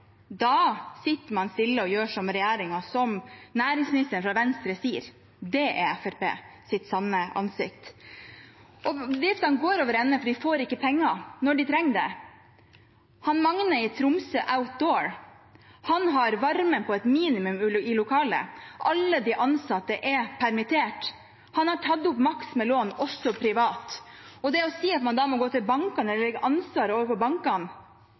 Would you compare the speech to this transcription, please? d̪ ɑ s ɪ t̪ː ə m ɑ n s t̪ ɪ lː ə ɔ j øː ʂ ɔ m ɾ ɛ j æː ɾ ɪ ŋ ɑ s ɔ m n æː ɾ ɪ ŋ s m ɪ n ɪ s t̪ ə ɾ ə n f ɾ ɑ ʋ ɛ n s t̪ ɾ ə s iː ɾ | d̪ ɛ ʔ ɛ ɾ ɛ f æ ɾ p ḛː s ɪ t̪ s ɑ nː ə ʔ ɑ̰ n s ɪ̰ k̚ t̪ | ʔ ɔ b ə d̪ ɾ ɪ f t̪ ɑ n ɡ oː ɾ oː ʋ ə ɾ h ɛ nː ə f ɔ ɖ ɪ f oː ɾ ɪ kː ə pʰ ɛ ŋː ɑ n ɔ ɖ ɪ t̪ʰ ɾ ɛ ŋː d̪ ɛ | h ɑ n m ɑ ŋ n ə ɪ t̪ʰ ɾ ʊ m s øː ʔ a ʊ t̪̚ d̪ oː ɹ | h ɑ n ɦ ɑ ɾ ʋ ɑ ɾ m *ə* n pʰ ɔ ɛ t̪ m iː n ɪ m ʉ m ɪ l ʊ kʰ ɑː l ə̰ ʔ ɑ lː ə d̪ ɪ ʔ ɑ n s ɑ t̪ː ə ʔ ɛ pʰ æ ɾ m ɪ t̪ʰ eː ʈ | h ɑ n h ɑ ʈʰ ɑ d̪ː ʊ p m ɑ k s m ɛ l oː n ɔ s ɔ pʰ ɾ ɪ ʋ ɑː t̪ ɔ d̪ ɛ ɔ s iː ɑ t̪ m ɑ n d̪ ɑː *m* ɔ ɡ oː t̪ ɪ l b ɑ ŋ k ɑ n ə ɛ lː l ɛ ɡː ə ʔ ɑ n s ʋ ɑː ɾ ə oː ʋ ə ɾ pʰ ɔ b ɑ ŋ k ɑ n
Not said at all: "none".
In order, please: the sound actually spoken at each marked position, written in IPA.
ə, m

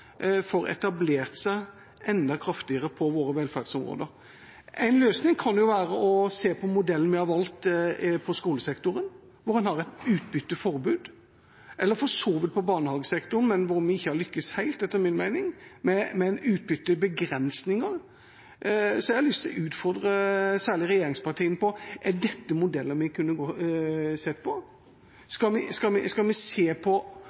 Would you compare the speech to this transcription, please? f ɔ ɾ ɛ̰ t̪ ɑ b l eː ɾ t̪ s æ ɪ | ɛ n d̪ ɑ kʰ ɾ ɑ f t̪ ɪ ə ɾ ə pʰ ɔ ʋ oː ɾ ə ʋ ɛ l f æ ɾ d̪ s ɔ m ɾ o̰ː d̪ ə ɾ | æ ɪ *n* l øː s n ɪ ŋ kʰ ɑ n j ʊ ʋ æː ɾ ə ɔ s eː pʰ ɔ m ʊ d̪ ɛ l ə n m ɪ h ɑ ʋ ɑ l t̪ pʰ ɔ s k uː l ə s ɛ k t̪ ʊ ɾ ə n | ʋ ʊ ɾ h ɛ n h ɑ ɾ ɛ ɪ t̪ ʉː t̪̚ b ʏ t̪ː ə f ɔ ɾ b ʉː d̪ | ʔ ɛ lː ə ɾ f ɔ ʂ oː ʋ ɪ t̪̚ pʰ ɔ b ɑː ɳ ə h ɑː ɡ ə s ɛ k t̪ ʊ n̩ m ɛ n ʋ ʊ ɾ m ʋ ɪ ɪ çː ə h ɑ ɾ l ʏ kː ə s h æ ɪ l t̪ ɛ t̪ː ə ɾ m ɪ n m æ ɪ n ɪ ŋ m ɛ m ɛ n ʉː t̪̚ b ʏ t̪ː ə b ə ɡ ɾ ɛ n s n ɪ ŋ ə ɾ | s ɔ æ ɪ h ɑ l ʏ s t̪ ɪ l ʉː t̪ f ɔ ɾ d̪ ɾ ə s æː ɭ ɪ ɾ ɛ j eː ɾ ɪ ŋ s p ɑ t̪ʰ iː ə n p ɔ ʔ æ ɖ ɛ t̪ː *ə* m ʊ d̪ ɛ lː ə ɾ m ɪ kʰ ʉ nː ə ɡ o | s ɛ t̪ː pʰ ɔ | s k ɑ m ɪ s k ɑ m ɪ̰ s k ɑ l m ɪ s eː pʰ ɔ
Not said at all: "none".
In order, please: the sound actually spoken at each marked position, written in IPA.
n, ə

